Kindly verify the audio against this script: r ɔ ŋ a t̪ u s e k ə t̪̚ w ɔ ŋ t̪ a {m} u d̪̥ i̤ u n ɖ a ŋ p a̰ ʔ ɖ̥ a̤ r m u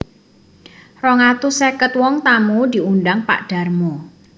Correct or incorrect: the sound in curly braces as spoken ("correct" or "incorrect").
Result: correct